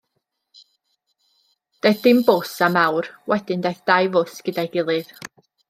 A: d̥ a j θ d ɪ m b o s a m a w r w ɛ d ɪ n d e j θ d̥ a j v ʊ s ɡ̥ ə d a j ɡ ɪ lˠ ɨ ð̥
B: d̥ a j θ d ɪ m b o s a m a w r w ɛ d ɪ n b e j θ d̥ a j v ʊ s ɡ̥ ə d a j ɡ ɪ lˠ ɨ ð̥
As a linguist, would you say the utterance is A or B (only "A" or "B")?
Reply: A